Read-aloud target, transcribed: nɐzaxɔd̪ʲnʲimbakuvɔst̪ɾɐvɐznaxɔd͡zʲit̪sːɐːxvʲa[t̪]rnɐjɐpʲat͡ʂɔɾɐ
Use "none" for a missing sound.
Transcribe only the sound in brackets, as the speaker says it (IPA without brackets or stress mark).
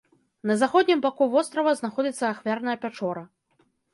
none